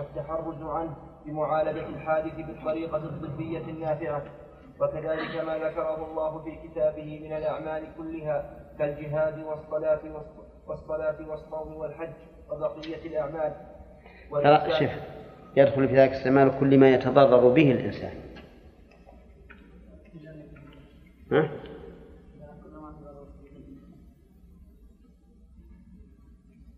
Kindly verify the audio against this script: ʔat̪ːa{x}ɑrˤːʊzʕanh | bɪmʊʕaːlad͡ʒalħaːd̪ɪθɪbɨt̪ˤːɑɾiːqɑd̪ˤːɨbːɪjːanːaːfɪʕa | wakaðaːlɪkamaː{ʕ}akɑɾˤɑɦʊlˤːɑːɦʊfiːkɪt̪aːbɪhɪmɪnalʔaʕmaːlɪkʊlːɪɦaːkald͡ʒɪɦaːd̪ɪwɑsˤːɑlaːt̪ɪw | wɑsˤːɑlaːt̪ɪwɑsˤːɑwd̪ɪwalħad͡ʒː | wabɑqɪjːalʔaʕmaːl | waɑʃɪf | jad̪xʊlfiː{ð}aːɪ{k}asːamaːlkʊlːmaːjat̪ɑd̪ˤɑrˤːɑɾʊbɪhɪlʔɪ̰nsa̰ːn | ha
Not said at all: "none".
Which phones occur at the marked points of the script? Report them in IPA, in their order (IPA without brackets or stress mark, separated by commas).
ħ, ð, ð, k